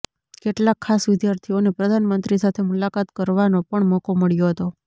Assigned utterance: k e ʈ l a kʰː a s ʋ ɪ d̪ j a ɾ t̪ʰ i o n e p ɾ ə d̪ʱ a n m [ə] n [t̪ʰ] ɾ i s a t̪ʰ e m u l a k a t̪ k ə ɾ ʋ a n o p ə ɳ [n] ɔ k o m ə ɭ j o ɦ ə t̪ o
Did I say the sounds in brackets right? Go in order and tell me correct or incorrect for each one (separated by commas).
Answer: correct, incorrect, incorrect